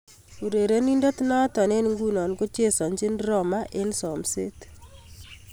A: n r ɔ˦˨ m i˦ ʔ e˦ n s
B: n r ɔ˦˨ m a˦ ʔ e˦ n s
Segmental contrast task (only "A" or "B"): B